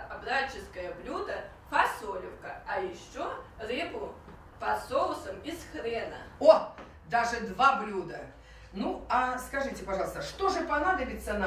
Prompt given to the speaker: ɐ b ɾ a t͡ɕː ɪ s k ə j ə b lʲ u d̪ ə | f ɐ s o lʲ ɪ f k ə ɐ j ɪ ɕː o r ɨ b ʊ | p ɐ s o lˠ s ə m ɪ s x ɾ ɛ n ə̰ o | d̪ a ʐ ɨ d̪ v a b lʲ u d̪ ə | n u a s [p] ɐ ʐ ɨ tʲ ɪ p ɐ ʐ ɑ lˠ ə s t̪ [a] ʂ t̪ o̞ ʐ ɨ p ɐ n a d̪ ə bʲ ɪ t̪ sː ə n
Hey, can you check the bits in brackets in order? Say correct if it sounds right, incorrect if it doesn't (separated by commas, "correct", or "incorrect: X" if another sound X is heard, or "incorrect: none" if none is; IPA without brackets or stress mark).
incorrect: k, incorrect: ə